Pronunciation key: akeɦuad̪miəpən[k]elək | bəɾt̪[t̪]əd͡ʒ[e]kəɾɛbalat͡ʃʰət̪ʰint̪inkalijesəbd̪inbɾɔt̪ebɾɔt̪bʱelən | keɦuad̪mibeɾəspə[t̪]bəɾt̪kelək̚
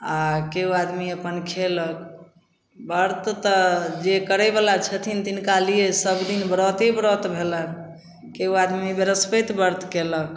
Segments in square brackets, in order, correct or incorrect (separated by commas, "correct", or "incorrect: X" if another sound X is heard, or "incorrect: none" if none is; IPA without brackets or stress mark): incorrect: kʰ, correct, correct, correct